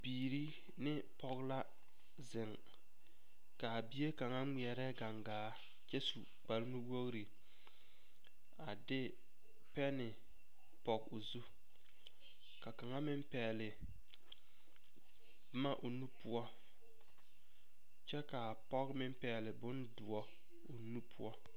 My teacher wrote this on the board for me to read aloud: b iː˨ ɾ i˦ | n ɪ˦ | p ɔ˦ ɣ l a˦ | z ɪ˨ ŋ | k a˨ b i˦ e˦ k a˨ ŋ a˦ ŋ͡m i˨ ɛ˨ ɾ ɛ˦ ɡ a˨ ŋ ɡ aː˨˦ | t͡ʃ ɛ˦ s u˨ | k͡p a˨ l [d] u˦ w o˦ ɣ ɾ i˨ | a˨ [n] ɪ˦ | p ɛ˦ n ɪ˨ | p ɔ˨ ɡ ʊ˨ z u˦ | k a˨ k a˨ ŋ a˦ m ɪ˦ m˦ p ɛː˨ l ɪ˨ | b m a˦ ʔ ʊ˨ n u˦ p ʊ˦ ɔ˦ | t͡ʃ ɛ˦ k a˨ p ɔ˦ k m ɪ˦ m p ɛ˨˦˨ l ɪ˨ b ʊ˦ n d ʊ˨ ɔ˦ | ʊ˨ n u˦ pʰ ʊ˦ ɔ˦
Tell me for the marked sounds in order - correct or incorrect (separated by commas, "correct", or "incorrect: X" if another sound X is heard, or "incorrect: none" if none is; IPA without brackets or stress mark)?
incorrect: n, incorrect: d